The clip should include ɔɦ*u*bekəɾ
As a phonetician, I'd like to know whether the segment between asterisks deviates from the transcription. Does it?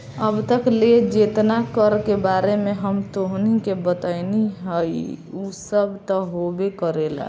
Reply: yes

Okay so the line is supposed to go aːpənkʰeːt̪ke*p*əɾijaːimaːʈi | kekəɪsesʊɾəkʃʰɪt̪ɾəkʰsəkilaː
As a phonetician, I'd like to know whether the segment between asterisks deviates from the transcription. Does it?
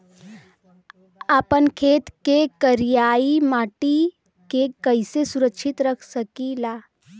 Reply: yes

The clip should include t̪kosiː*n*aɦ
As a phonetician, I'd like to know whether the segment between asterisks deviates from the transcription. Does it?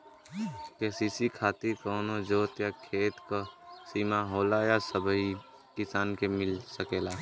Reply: yes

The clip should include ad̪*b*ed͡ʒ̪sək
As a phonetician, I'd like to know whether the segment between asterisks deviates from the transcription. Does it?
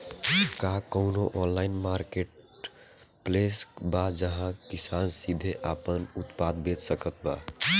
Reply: no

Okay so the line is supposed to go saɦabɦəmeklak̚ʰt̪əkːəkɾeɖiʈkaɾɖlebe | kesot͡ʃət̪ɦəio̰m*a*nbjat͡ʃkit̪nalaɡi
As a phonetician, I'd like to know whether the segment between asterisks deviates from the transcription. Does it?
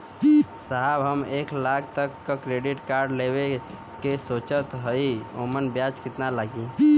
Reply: yes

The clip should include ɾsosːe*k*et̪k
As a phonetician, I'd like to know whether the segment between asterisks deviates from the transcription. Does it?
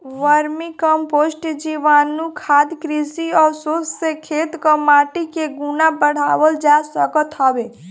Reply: yes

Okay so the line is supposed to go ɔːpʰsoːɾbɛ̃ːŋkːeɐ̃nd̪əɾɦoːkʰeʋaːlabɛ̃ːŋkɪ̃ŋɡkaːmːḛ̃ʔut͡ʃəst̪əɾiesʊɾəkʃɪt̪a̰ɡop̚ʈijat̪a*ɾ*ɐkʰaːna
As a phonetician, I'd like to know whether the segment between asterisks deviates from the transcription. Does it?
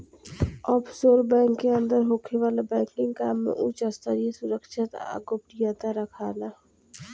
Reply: no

